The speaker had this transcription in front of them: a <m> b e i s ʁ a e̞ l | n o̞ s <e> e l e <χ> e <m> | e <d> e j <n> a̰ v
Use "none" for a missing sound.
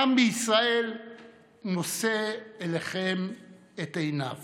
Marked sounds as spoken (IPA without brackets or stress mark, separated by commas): m, e, χ, m, t, n